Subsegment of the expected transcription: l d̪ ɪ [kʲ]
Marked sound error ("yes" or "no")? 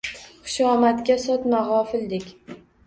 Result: no